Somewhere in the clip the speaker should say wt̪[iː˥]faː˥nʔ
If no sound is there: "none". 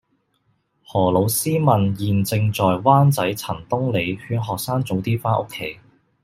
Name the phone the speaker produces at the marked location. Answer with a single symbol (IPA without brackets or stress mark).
iː˥